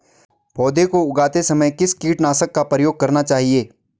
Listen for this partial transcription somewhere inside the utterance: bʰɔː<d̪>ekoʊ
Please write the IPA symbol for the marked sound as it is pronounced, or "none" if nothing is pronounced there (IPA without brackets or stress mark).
d̪